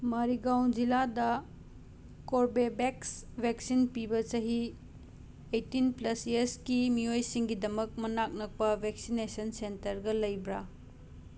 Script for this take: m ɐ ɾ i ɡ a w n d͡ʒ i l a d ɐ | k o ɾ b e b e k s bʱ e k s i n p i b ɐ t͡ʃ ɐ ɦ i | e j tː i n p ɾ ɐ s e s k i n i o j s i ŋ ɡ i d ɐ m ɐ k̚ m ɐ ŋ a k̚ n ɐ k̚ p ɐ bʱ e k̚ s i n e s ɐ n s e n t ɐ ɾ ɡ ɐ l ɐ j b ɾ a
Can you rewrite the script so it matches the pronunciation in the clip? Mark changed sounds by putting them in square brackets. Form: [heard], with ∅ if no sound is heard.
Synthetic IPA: m ɐ ɾ i ɡ a w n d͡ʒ i l a d ɐ | k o ɾ b e b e k s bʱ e k s i n p i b ɐ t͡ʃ ɐ ɦ i | e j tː i n p [l] ɐ s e s k i [m] i o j s i ŋ ɡ i d ɐ m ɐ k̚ m ɐ [n] a k̚ n ɐ k̚ p ɐ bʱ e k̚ s i n e s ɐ n s e n t ɐ ɾ ɡ ɐ l ɐ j b ɾ a